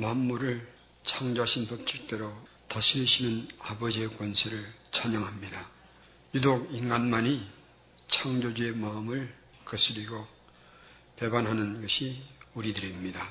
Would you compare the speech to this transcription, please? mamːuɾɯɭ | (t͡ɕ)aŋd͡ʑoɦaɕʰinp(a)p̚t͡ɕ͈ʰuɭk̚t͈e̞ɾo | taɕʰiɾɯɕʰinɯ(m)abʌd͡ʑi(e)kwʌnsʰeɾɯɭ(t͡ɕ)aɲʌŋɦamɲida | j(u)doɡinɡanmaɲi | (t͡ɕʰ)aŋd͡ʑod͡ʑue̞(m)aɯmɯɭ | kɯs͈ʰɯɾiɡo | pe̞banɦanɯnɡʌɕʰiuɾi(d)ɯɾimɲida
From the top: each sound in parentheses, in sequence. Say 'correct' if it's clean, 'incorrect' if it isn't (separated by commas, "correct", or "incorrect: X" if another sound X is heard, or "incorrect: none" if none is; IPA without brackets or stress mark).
incorrect: t͡ɕʰ, incorrect: ʌ, incorrect: n, correct, correct, correct, correct, correct, correct